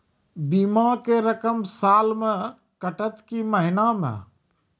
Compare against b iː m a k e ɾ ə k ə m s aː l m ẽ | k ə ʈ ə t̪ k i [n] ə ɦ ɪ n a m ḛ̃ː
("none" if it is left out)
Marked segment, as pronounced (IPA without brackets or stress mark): m